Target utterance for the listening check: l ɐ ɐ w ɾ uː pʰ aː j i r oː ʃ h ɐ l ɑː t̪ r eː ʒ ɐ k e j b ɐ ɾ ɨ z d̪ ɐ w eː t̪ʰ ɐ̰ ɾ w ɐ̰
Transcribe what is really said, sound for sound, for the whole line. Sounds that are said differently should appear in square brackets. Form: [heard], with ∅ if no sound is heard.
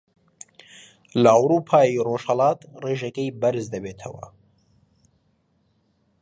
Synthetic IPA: l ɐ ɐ w ɾ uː pʰ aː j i r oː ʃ h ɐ l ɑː t̪ r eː ʒ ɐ k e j b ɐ ɾ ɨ z d̪ ɐ [b] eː t̪ʰ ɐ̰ [∅] w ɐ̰